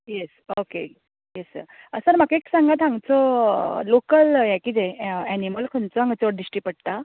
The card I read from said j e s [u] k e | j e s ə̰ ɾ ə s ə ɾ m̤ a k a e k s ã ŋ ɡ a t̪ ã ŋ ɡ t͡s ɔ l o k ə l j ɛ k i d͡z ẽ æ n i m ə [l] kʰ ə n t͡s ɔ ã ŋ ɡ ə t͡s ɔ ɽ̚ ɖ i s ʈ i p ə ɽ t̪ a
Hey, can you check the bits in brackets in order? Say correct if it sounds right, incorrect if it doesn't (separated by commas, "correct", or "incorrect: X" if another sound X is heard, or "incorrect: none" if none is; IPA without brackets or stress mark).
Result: incorrect: o, correct